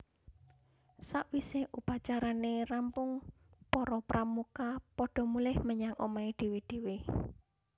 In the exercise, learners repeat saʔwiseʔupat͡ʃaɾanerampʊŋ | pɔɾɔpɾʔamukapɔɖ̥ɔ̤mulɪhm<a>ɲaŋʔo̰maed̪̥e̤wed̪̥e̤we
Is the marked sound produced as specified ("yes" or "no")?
no